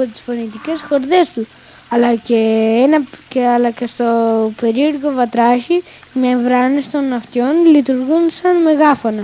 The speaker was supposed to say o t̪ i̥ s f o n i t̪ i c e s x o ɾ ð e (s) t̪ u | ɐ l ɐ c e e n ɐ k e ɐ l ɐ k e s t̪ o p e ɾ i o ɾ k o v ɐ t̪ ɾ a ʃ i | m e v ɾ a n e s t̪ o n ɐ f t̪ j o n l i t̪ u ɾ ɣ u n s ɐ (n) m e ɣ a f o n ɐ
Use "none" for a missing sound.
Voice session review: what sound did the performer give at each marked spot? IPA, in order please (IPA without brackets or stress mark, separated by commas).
s, n